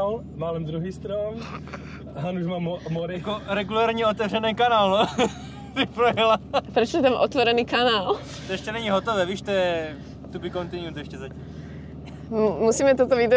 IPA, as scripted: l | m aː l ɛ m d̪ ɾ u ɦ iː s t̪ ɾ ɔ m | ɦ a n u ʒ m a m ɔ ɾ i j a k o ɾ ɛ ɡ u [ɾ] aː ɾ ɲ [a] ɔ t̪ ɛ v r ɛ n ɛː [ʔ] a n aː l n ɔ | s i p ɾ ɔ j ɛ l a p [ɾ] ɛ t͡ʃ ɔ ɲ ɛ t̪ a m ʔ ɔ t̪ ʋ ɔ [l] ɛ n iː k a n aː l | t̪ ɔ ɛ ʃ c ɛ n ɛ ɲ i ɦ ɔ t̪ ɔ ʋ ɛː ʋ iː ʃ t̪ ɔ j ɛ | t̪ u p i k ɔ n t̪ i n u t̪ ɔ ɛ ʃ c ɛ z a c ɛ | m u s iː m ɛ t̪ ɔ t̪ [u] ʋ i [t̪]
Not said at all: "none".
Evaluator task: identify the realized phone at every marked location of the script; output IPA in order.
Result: l, ɛ, k, ɾ, ɾ, ɔ, d̪

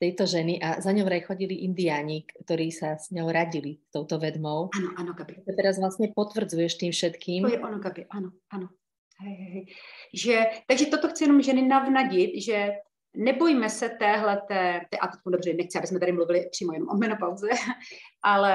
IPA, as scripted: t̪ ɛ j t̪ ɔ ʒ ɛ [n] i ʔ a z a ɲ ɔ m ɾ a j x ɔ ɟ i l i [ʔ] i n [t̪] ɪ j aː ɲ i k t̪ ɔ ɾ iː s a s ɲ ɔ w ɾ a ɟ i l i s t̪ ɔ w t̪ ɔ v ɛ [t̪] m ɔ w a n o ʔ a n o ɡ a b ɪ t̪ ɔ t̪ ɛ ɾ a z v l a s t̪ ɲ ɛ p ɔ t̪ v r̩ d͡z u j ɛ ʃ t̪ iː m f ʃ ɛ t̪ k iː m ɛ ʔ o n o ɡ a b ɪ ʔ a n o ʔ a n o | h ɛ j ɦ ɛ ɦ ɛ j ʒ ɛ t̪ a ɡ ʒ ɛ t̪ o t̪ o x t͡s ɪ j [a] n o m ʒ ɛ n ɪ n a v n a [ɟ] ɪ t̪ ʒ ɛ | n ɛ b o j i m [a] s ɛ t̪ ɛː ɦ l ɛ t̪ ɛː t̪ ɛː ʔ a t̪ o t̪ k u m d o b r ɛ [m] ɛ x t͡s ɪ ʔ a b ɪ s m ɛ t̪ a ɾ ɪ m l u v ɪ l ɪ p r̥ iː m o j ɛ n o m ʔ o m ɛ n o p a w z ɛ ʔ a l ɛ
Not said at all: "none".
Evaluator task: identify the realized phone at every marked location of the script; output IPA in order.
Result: n, ʔ, d̪, d̪, ɛ, ɟ, ɛ, n

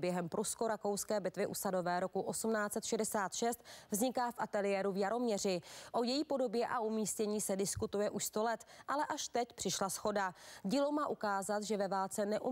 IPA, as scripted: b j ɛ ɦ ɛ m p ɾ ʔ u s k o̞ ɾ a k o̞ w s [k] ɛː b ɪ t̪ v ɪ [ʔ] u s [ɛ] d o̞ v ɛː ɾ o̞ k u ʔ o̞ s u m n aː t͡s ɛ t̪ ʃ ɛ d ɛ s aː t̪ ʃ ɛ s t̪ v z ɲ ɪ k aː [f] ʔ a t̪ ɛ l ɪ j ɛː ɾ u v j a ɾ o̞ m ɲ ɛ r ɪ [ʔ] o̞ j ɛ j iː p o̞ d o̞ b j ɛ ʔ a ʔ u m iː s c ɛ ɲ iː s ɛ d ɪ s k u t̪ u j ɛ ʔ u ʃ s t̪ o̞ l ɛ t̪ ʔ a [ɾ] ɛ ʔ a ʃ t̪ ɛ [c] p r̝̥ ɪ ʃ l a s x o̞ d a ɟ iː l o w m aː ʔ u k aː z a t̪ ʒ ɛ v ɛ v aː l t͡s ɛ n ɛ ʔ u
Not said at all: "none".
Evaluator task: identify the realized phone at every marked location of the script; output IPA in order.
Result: k, ʔ, a, f, ʔ, l, c

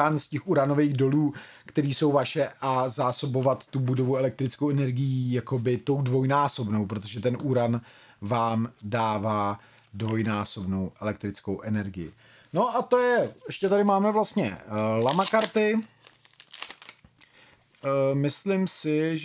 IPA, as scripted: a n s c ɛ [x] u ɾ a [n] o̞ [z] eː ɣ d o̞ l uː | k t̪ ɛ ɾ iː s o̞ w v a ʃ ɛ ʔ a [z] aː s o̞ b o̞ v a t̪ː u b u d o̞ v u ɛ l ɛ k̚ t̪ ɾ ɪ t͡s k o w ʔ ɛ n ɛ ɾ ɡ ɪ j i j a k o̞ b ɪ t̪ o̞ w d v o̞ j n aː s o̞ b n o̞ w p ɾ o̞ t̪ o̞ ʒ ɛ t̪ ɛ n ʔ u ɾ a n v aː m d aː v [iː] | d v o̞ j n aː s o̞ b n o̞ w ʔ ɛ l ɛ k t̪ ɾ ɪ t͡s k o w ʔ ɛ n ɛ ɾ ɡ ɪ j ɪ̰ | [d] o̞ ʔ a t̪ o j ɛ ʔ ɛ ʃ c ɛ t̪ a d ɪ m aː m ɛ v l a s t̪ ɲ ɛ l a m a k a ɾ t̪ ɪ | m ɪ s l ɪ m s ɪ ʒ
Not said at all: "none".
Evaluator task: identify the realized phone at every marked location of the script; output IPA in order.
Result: x, n, v, z, aː, n

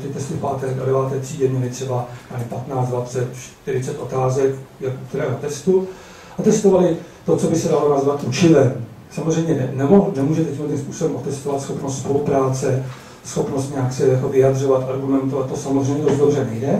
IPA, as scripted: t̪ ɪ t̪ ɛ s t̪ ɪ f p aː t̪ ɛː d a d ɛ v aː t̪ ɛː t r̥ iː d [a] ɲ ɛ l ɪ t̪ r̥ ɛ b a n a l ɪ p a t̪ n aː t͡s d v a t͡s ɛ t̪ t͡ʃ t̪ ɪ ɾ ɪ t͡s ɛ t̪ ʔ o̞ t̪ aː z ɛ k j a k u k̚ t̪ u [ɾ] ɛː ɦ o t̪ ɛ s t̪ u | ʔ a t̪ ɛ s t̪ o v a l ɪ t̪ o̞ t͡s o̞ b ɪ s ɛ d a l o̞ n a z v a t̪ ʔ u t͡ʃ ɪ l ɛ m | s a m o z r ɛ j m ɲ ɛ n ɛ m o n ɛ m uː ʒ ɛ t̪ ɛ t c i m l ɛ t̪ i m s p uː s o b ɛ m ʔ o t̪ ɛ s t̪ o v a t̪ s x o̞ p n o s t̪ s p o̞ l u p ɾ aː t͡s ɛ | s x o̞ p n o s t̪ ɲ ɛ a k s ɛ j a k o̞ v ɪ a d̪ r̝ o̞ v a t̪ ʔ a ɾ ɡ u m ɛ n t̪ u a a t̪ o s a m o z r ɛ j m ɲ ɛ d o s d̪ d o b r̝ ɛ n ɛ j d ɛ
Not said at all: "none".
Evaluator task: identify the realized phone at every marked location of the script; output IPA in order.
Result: ɛ, ɾ

